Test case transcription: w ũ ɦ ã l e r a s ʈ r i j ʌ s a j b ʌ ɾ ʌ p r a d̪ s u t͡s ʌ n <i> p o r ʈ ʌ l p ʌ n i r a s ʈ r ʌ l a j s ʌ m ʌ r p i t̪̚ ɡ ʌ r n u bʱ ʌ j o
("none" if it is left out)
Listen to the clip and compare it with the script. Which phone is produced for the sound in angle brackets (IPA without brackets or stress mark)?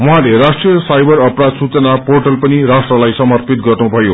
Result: a